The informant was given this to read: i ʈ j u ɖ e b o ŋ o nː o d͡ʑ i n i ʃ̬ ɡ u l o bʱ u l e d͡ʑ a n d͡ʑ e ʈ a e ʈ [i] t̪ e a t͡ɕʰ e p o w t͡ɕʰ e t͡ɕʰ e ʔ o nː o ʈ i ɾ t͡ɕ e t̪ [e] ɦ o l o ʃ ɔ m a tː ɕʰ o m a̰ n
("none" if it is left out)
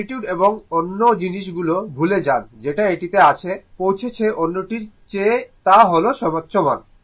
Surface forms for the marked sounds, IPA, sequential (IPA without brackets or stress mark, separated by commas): i, a